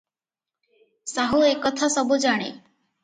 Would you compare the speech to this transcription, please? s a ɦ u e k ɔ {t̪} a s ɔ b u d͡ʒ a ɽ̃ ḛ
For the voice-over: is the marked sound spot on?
no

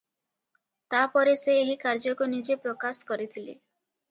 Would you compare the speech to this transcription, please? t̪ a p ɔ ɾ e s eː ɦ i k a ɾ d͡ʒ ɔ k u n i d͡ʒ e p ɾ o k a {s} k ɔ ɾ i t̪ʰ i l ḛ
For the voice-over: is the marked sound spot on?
yes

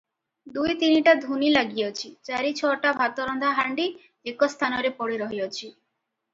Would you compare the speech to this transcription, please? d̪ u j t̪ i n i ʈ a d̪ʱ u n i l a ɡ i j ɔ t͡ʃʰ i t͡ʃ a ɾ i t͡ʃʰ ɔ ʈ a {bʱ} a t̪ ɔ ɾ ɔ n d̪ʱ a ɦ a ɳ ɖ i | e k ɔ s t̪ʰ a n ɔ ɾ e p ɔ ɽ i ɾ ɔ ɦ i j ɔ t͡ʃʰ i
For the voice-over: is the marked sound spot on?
yes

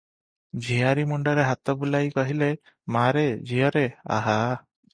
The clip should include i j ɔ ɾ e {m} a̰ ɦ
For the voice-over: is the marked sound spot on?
no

